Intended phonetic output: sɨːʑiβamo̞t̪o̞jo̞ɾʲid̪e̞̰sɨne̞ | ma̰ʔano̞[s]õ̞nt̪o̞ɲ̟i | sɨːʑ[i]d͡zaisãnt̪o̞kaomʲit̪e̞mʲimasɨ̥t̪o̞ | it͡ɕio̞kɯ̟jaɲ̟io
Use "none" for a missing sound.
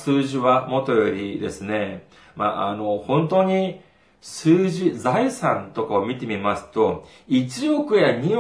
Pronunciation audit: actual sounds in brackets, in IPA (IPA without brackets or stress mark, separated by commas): h, i